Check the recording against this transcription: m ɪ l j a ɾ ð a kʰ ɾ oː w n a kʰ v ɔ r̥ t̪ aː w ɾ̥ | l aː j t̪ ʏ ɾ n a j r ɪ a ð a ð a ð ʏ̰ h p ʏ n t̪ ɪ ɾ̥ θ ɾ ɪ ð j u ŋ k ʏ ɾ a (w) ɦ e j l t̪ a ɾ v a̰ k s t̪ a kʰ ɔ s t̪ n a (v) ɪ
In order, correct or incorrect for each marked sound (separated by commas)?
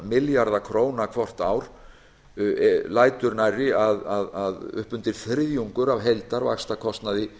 incorrect, incorrect